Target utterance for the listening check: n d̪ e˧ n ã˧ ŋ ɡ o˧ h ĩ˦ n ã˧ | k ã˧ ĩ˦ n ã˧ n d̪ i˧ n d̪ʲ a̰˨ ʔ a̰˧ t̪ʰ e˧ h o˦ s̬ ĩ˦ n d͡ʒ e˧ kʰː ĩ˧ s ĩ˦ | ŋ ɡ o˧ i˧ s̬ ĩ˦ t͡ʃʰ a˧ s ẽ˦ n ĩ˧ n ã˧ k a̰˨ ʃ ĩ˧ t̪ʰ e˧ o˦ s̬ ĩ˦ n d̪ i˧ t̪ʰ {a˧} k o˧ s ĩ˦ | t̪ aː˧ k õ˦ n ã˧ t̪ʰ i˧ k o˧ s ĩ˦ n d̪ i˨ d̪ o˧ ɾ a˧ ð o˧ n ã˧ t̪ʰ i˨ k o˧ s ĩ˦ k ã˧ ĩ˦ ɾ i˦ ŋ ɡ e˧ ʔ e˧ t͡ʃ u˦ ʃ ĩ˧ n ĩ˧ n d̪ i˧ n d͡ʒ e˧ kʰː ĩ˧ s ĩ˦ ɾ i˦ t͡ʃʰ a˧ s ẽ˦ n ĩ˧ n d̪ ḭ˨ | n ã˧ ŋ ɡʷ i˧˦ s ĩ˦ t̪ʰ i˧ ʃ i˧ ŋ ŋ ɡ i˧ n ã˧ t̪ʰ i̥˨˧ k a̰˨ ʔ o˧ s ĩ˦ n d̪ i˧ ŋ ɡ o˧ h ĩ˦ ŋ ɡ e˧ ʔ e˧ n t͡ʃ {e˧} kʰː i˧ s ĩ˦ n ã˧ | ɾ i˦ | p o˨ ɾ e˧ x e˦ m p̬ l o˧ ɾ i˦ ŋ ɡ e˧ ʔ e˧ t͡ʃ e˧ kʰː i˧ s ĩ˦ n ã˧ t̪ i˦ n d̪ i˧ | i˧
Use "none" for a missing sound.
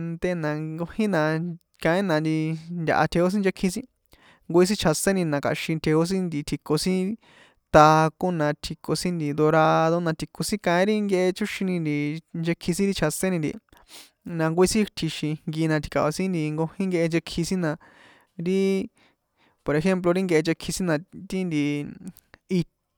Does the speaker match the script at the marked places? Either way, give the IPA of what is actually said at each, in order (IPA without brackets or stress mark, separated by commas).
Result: i˧, e˧